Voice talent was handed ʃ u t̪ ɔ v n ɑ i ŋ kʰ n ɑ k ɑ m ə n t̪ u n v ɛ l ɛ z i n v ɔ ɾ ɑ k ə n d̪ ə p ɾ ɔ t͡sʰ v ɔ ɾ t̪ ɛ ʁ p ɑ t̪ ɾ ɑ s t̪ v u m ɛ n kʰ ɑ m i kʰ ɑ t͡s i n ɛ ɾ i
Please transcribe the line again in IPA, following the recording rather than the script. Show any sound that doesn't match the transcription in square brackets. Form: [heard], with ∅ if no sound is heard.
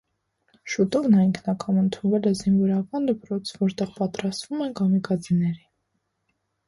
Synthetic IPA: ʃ u t̪ ɔ v n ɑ i ŋ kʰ n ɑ k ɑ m ə n [t̪ʰ] u n v ɛ l ɛ z i n v ɔ ɾ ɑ k [ɑ] n d̪ ə p ɾ ɔ t͡sʰ v ɔ ɾ t̪ ɛ ʁ p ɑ t̪ ɾ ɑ s t̪ v u m ɛ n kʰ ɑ m i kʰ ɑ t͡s i n ɛ ɾ i